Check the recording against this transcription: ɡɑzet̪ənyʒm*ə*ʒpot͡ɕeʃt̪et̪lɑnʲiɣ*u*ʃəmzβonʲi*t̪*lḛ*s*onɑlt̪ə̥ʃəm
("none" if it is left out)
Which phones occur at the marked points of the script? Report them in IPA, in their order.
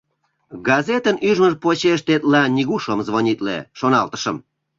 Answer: ə, u, t̪, ʃ

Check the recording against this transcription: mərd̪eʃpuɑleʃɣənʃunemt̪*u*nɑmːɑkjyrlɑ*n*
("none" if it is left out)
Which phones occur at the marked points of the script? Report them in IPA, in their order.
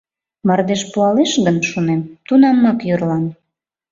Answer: u, n

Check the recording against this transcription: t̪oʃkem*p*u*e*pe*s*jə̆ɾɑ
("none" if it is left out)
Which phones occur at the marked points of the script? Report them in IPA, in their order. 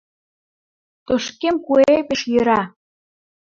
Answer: k, e, ʃ

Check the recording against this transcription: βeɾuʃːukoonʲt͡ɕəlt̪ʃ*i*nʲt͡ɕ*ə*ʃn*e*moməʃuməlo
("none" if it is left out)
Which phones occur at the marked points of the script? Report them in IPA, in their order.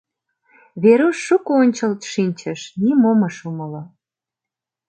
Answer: i, ə, i

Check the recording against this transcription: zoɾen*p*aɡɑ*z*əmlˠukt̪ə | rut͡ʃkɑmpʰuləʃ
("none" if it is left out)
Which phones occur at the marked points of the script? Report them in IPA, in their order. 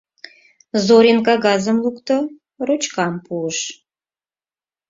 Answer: k, z

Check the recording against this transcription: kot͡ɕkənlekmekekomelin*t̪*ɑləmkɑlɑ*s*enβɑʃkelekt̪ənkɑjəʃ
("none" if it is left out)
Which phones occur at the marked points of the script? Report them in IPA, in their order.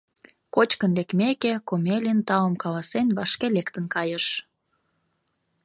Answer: t̪, s

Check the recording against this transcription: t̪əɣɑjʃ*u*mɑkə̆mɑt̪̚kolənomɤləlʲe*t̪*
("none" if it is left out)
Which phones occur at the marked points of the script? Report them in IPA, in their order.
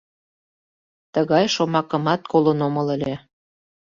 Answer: o, none

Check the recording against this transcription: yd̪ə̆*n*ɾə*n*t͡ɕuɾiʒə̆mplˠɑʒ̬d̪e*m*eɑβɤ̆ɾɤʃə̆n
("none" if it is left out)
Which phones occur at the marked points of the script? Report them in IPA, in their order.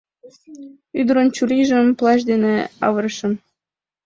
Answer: none, n, n

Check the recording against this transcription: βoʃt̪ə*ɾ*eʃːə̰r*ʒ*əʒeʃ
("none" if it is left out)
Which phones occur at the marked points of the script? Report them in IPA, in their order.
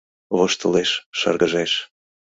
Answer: l, ɣ

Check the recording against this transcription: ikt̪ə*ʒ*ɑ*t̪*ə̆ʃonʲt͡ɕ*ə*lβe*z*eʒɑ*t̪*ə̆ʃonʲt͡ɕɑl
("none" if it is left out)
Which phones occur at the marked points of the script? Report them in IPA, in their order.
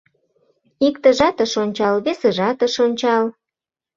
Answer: ʒ, t̪, ɑ, s, t̪

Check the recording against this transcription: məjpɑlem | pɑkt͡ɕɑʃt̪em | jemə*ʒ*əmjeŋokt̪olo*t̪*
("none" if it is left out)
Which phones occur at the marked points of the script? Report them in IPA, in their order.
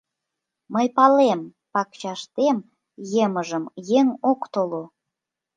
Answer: ʒ, none

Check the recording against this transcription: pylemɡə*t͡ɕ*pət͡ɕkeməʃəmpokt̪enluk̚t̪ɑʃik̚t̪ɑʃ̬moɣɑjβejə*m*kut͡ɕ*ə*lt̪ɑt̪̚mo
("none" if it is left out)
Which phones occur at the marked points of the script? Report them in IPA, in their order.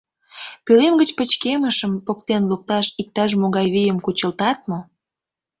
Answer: t͡ɕ, m, ə

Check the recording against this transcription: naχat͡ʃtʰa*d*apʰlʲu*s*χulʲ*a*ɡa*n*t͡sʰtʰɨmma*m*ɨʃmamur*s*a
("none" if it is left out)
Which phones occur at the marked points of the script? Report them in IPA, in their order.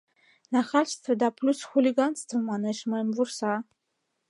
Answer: d, s, i, n, n, s

